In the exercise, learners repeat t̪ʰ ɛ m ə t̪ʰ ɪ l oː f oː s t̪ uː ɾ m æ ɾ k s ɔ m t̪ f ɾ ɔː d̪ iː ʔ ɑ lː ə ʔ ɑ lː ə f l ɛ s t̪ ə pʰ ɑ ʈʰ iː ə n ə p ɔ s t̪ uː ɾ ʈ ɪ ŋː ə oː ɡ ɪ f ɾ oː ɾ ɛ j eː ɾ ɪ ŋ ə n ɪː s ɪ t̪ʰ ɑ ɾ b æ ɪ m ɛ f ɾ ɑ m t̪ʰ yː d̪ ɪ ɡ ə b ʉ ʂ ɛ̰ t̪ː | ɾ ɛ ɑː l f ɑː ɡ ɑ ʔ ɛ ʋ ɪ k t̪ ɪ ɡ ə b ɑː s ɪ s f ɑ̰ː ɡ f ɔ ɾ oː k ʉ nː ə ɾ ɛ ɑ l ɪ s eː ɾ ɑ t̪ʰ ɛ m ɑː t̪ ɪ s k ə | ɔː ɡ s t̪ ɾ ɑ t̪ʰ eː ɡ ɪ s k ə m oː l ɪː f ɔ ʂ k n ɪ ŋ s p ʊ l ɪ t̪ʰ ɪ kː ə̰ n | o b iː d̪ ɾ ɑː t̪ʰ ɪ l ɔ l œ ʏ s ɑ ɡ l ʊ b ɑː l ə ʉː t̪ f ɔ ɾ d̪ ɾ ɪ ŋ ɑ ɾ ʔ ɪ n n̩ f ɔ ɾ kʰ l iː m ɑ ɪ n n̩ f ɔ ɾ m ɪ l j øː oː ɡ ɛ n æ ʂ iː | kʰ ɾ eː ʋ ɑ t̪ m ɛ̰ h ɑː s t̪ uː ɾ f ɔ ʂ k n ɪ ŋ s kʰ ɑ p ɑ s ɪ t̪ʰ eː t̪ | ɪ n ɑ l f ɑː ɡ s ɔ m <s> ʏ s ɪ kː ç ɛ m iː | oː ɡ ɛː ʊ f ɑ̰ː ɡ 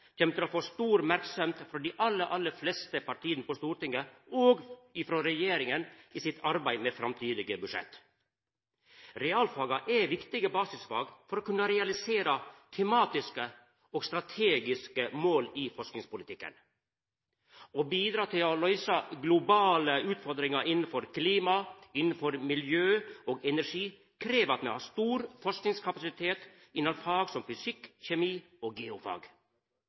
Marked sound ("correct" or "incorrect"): incorrect